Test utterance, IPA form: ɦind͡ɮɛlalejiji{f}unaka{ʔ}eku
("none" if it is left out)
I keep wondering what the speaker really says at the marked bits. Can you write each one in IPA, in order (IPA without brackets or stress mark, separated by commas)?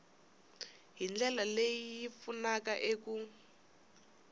f, ʔ